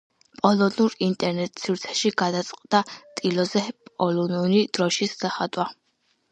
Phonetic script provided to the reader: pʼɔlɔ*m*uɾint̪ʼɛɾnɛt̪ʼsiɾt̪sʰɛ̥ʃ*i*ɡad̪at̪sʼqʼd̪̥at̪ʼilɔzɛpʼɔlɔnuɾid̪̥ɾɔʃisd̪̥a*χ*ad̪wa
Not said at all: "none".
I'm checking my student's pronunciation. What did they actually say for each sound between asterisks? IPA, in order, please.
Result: n, i, χ

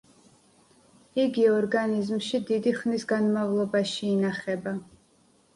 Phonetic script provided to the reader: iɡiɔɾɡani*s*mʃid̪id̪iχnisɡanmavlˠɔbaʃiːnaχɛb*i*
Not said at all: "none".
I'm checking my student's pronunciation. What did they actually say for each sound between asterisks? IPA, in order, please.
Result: z, a

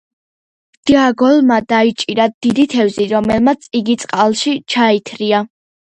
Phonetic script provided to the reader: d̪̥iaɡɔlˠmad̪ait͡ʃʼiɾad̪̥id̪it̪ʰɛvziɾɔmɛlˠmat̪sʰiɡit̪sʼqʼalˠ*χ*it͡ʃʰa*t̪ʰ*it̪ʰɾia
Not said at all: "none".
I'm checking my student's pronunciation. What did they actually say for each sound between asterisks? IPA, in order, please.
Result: ʃ, none

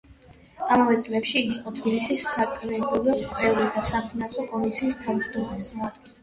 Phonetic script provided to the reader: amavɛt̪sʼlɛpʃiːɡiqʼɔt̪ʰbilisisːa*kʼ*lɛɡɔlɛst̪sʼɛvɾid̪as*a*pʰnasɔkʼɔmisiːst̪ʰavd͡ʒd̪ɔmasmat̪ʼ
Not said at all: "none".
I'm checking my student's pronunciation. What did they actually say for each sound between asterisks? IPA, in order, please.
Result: kʼ, a

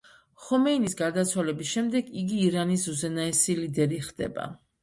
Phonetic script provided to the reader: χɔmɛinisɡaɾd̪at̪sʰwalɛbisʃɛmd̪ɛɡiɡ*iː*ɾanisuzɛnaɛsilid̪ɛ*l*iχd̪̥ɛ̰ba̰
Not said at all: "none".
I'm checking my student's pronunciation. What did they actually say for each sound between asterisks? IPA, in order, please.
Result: iː, ɾ

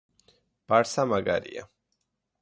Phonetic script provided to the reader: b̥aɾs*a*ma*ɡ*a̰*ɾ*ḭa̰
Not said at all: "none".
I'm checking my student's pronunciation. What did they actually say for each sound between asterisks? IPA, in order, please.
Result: a, ɡ, ɾ

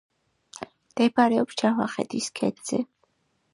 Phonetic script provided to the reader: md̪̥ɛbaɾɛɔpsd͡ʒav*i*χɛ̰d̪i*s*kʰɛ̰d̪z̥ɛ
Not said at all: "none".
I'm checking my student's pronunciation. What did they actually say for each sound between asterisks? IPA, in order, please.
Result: a, s

